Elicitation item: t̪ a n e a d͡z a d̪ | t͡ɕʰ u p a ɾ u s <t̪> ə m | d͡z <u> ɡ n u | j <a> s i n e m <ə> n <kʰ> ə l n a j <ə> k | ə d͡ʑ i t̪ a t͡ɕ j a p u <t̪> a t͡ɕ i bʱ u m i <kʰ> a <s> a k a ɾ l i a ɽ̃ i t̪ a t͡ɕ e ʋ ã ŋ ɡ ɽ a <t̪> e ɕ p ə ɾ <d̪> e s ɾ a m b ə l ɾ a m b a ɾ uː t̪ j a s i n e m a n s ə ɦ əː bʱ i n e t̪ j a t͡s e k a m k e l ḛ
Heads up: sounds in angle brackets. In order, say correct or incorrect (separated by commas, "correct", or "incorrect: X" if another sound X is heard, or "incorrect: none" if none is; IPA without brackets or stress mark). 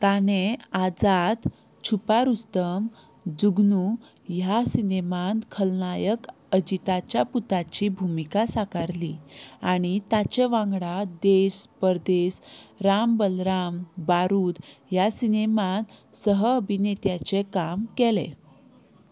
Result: correct, correct, correct, incorrect: a, correct, correct, correct, incorrect: k, correct, incorrect: d̪, correct